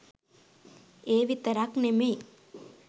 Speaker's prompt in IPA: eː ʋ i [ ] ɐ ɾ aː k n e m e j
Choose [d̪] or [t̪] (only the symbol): t̪